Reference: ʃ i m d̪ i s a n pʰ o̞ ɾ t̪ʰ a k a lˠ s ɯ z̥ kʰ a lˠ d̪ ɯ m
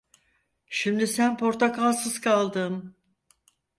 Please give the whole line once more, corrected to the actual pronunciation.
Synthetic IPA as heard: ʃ i m d̪ i s æ n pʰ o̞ ɾ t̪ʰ a k a lˠ s ɯ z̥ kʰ a lˠ d̪ ɯ m